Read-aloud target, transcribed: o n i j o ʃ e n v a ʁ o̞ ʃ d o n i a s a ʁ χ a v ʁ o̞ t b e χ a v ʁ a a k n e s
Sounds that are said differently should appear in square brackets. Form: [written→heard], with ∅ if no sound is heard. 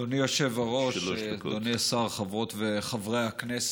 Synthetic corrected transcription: o n i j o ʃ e [n→∅] v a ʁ o̞ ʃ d o n i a s a ʁ χ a v ʁ o̞ t [b→v] e χ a v ʁ [a→e] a k n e s